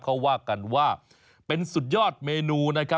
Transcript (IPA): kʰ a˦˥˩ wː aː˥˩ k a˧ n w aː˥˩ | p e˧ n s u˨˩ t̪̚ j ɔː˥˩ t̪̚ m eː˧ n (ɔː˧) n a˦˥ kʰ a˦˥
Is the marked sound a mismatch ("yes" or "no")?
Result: yes